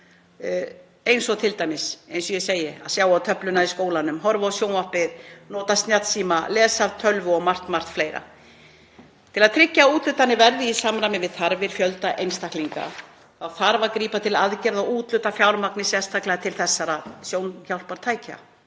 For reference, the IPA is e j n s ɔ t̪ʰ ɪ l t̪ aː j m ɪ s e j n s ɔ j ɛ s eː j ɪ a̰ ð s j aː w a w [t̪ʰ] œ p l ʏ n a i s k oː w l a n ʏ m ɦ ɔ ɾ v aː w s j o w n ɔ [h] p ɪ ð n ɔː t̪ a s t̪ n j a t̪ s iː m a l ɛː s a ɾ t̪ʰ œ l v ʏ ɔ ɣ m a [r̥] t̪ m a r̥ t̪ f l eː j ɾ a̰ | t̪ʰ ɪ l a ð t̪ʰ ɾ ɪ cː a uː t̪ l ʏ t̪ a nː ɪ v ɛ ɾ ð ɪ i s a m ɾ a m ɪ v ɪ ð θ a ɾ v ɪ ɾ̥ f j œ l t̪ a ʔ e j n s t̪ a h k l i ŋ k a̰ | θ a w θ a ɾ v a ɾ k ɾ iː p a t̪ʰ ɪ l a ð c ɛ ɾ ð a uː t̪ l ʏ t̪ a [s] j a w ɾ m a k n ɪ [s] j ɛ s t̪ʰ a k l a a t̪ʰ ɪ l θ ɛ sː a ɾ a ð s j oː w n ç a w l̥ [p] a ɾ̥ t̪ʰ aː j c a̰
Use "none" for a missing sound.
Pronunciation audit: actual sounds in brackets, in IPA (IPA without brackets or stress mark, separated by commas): t̪ʰ, h, r̥, f, s, p